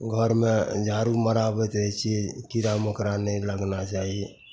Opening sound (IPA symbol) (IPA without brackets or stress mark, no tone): ɡʱ